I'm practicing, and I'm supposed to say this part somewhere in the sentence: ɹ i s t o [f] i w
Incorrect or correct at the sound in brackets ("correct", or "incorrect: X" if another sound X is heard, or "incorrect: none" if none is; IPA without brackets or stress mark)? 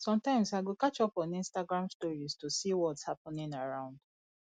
incorrect: s